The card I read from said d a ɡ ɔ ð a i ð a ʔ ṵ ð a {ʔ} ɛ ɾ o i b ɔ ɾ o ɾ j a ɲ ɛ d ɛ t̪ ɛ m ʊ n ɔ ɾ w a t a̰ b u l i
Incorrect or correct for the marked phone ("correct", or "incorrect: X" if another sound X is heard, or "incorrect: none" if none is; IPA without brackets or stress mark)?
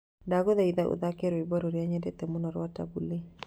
incorrect: k